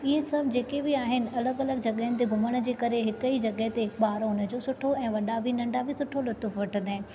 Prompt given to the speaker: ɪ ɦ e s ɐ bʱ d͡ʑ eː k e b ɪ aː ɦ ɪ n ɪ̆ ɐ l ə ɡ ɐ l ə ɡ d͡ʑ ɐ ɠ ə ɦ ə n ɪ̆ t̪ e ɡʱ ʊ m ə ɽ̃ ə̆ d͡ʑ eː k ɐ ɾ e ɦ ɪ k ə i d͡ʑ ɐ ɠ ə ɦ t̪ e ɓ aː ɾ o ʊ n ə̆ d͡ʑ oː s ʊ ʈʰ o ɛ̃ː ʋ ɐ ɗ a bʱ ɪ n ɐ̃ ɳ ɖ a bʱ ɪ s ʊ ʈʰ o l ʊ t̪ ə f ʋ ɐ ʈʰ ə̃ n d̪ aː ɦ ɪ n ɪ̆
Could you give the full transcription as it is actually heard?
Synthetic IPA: ɪ ɦ e s ɐ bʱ d͡ʑ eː k e b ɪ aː ɦ ɪ n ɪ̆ ɐ l ə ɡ ɐ l ə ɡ d͡ʑ ɐ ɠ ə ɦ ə n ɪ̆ t̪ e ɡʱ ʊ m ə ɽ̃ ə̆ d͡ʑ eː k ɐ ɾ e ɦ ɪ k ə i d͡ʑ ɐ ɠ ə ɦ t̪ e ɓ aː ɾ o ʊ n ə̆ d͡ʑ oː s ʊ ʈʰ o ɛ̃ː ʋ ɐ ɗ a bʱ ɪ n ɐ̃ ɳ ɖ a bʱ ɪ s ʊ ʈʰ o l ʊ t̪ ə f ʋ ɐ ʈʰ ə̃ n d̪ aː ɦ ɪ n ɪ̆

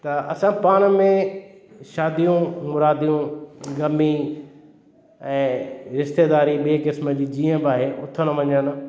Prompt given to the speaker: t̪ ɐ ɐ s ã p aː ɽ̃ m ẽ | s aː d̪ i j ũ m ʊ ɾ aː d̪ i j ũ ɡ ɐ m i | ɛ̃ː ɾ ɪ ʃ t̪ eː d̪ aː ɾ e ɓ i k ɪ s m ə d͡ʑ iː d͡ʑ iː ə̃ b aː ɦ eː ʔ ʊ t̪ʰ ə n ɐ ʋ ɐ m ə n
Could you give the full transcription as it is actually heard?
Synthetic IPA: t̪ ɐ ɐ s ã p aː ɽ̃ m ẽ | ʃ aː d̪ i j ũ m ʊ ɾ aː d̪ i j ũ ɡ ɐ m i | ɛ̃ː ɾ ɪ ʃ t̪ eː d̪ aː ɾ i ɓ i k ɪ s m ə d͡ʑ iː d͡ʑ iː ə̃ b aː ɦ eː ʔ ʊ t̪ʰ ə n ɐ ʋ ɐ ɲ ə n

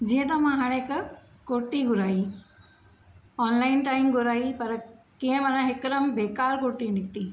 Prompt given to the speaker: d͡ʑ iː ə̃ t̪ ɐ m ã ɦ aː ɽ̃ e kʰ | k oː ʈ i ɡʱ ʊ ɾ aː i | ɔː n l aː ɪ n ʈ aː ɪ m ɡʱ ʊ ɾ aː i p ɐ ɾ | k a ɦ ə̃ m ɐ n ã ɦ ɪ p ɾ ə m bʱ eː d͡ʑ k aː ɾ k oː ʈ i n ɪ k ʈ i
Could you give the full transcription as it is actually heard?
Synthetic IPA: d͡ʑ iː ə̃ t̪ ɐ m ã ɦ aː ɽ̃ e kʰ | k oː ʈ i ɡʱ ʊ ɾ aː i | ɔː n l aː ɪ n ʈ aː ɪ m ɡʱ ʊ ɾ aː i p ɐ ɾ | k i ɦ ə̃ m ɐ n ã ɦ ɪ k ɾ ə m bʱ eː k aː ɾ k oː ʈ i n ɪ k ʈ i

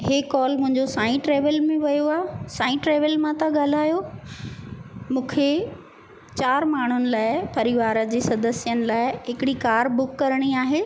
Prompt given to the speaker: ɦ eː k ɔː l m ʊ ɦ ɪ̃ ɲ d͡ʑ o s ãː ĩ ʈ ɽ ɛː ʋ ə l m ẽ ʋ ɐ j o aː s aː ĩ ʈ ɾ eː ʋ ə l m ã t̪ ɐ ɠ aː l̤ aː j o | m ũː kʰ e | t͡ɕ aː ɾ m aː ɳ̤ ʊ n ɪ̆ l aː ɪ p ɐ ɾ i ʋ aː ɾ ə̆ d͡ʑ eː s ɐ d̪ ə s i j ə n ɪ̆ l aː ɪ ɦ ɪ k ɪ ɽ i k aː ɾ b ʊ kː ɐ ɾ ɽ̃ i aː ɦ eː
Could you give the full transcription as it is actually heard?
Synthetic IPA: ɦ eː k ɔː l m ʊ̃ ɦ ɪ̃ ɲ d͡ʑ o s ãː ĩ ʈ ɾ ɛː ʋ ə l m ẽ ʋ ɐ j o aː s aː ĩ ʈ ɾ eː ʋ ə l m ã t̪ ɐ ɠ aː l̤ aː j o | m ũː kʰ e | t͡ɕ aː ɾ m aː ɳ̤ ʊ n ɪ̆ l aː ɪ p ɐ ɾ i ʋ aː ɾ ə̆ d͡ʑ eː s ɐ d̪ ə s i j ə n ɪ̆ l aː ɪ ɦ ɪ k ɪ ɽ i k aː ɾ b ʊ kː ɐ ɾ ɽ̃ i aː ɦ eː

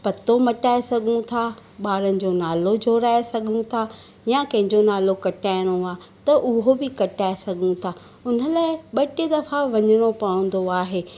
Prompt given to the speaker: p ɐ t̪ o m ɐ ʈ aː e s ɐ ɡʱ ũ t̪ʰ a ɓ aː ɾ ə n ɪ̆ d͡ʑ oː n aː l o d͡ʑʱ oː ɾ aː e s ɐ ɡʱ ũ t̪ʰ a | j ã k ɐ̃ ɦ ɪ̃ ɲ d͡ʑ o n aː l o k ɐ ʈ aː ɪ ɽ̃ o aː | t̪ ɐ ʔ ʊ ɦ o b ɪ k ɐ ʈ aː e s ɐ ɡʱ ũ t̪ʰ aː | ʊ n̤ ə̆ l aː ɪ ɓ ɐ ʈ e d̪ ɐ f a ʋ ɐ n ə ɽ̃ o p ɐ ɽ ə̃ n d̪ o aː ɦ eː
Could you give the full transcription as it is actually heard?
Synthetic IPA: p ɐ t̪ o m ɐ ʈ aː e s ɐ ɡʱ ũ t̪ʰ a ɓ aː ɾ ə n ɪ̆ d͡ʑ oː n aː l o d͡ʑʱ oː ɾ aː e s ɐ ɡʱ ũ t̪ʰ a | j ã k ɐ̃ ɦ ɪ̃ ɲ d͡ʑ o n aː l o k ɐ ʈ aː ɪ ɽ̃ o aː | t̪ ɐ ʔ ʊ ɦ o b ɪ k ɐ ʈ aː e s ɐ ɡʱ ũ t̪ʰ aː | ʊ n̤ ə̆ l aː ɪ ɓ ɐ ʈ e d̪ ɐ f a ʋ ɐ ɲ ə ɽ̃ o p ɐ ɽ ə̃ n d̪ o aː ɦ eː

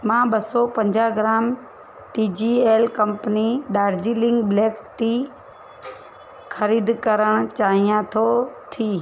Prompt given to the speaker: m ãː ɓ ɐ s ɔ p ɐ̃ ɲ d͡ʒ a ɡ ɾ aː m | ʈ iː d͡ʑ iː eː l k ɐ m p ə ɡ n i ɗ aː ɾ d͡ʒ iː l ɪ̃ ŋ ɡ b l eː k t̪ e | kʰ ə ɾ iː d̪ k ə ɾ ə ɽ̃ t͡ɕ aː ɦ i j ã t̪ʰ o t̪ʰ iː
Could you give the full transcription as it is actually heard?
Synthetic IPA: m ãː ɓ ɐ s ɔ p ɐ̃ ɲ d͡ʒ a ɡ ɾ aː m | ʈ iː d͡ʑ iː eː l k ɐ m p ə n i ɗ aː ɾ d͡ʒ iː l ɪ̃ ŋ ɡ b l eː k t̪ i | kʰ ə ɾ iː d̪ k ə ɾ ə ɽ̃ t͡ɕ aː ɦ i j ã t̪ʰ o t̪ʰ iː

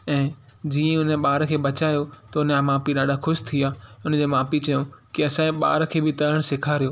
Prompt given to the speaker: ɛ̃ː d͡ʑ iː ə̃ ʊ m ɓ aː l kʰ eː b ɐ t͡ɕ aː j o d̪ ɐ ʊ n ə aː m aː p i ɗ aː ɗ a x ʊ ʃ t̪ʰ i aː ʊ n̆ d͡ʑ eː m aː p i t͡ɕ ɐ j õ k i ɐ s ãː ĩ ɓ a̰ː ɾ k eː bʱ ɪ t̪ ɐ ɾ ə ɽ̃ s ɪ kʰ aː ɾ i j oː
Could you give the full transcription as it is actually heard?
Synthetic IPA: ɛ̃ː d͡ʑ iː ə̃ ʊ n ɓ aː ɾ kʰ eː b ɐ t͡ɕ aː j o t̪ ɐ ʊ n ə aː m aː p i ɗ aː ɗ a x ʊ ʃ t̪ʰ i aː ʊ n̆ d͡ʑ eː m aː p i t͡ɕ ɐ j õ k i ɐ s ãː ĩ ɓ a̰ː ɾ kʰ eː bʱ ɪ t̪ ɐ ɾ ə ɽ̃ s ɪ kʰ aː ɾ i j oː

